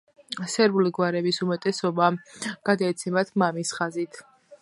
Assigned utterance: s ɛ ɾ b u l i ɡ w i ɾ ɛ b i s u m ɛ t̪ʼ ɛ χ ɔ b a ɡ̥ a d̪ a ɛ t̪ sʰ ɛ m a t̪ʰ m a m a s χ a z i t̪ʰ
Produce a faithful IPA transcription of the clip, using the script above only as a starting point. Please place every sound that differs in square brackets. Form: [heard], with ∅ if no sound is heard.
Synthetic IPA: s ɛ ɾ b u l i ɡ w [a] ɾ ɛ b i s u m ɛ t̪ʼ ɛ [s] ɔ b a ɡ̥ a d̪ a ɛ t̪ sʰ ɛ m a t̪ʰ m a m [i] s χ a z i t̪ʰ